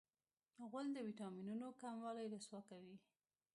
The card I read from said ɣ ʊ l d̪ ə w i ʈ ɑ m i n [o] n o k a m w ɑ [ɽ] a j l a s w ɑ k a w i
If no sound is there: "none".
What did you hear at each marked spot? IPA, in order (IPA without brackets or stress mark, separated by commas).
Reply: u, l